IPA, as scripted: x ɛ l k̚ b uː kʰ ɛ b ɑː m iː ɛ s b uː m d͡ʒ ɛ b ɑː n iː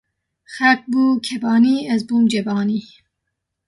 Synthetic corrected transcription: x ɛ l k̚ b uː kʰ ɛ b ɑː n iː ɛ z b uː m d͡ʒ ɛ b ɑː n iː